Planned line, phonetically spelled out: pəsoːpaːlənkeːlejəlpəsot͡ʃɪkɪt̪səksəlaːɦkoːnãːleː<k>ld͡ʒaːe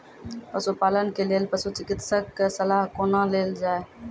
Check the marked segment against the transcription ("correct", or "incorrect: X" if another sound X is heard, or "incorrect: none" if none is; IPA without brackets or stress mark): incorrect: none